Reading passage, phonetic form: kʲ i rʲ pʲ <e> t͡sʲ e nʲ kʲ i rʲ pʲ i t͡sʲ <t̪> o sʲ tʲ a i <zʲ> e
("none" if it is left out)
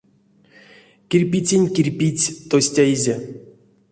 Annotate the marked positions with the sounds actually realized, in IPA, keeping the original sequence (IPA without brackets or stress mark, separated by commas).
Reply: i, t̪, zʲ